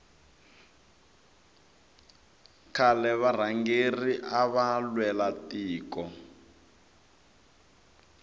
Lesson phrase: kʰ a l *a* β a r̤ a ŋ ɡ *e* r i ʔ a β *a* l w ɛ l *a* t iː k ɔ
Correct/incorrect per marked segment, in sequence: incorrect, correct, correct, correct

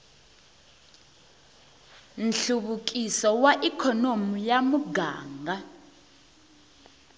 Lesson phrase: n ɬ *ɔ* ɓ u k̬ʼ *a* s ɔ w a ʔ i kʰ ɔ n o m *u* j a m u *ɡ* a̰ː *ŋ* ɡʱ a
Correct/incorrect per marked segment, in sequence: incorrect, incorrect, correct, correct, correct

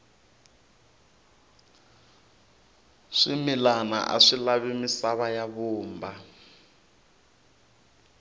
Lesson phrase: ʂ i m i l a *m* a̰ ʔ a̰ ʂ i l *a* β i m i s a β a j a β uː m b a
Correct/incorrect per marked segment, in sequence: incorrect, correct

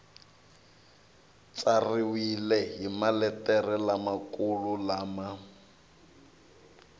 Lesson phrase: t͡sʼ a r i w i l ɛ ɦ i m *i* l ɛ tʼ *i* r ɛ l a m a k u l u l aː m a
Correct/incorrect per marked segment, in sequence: incorrect, incorrect

